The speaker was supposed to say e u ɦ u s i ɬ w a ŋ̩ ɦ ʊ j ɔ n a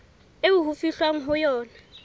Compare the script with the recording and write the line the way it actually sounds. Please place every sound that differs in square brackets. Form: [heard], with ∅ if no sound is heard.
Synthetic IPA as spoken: e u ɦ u [f] i ɬ w a ŋ̩ ɦ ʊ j [ɔː] n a